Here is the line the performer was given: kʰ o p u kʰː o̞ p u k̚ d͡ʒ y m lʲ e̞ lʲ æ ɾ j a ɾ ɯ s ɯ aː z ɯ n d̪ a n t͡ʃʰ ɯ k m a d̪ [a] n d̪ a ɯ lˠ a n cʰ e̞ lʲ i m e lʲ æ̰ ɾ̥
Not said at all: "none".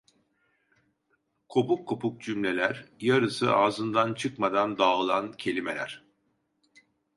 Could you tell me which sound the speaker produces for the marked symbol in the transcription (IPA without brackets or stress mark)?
a